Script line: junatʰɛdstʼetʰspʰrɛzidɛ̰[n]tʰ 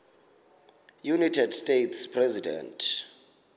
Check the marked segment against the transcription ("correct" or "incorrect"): correct